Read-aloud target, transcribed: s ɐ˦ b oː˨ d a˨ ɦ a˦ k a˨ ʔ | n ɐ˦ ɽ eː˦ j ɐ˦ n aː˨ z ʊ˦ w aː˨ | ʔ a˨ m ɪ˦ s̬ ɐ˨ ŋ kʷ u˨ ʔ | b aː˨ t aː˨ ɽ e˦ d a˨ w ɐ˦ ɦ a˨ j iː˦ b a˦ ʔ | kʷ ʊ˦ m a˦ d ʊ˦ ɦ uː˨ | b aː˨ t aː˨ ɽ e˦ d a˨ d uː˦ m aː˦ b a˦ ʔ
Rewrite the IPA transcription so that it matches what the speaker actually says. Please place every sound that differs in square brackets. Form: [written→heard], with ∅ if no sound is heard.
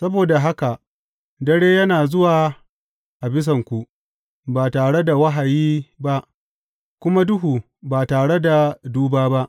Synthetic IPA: s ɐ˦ b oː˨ d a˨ ɦ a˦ k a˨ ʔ | [n→d] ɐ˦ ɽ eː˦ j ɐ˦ n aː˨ z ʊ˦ w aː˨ | ʔ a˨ [m→b] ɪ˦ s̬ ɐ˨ ŋ kʷ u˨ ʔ | b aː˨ t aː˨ ɽ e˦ d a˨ w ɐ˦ ɦ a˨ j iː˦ b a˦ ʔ | kʷ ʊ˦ m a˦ d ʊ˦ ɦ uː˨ | b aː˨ t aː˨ ɽ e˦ d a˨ d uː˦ [m→b] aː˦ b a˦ ʔ